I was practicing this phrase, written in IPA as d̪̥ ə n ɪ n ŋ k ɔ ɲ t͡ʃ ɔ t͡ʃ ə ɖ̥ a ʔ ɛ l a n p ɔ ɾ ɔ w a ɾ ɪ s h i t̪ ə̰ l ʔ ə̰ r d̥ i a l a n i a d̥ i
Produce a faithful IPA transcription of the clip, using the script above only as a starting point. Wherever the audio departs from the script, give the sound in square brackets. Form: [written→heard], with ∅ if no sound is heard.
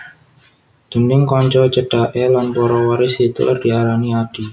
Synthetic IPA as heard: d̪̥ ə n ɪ [n→∅] ŋ k ɔ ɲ t͡ʃ ɔ t͡ʃ ə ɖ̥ a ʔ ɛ l a n p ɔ ɾ ɔ w a ɾ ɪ s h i t̪ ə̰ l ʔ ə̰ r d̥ i a [l→ɾ] a n i a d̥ i